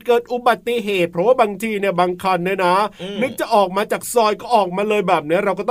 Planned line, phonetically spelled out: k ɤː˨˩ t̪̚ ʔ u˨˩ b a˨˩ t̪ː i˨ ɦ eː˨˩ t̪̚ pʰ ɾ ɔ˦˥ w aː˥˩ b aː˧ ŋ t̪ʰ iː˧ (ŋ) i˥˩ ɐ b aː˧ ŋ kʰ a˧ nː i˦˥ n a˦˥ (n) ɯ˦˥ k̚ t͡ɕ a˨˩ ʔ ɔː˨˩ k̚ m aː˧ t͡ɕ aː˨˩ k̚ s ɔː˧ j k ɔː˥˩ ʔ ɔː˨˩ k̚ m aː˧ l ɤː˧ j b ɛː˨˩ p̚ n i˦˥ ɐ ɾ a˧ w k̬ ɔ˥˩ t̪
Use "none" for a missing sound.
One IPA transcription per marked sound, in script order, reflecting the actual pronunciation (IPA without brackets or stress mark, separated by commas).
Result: n, n